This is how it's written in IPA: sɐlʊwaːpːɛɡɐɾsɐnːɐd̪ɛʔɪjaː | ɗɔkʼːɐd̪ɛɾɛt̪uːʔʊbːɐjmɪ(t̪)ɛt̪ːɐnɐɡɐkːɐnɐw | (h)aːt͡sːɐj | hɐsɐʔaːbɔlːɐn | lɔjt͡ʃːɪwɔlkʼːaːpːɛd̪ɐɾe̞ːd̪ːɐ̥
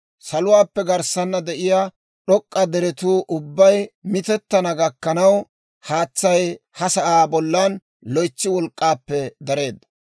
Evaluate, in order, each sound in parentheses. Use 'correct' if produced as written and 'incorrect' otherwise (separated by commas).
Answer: correct, correct